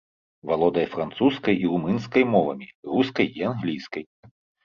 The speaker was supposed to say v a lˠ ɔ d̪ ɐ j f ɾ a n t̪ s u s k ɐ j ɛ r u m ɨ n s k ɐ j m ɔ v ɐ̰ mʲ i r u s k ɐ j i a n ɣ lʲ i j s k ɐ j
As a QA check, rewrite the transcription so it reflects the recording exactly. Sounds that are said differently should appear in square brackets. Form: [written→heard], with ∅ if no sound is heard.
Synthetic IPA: v a lˠ ɔ d̪ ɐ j f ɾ a n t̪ s u s k ɐ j [ɛ→i] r u m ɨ n s k ɐ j m ɔ v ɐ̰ mʲ i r u s k ɐ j i a n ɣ lʲ i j s k ɐ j